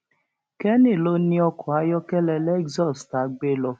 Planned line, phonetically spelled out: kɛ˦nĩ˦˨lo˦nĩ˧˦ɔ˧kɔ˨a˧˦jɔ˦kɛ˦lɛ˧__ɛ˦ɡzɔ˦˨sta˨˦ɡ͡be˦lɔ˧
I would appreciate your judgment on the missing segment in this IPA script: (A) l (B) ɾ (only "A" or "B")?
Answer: A